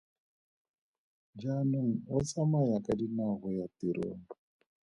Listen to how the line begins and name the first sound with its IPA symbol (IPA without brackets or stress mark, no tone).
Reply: d͡ʒ